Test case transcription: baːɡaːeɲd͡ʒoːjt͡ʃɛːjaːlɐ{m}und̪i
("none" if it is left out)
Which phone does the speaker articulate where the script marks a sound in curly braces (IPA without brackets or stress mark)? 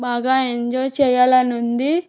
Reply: n